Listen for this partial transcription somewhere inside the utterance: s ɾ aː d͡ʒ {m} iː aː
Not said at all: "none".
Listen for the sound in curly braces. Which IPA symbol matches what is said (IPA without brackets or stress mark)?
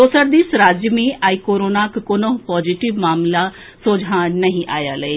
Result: m